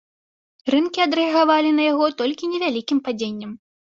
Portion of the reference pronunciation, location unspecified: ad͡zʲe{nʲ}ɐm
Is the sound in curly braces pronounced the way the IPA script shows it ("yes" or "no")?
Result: no